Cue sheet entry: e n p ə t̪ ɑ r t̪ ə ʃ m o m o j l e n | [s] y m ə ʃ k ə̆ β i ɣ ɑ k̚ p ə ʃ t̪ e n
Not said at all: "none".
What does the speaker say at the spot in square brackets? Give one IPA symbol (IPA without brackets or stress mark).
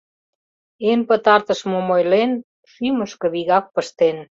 ʃ